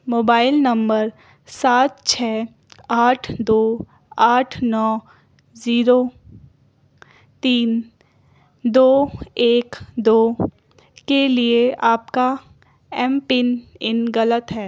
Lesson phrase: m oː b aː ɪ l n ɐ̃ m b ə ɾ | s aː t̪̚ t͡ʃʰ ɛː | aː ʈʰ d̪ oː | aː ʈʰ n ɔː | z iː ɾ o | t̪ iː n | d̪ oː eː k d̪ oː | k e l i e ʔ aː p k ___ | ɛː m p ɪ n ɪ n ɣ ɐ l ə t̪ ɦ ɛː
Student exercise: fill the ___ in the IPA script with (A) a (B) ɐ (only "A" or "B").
A